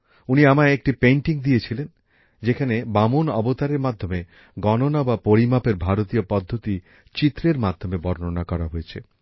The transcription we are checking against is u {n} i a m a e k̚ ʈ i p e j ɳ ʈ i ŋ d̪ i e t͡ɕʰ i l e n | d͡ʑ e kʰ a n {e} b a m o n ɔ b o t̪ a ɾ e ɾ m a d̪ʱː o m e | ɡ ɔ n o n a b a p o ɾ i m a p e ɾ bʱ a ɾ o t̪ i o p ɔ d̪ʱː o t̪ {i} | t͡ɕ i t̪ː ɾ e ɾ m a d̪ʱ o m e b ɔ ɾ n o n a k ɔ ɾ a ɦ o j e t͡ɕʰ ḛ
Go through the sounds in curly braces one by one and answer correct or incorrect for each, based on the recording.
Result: correct, correct, correct

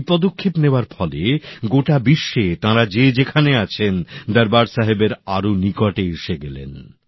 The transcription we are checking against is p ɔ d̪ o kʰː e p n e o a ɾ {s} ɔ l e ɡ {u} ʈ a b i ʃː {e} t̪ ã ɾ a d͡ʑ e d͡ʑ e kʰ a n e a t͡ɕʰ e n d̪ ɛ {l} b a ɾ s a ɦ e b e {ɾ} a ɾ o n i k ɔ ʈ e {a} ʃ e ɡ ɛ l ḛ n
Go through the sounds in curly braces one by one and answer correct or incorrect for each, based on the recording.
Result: incorrect, incorrect, correct, incorrect, correct, incorrect

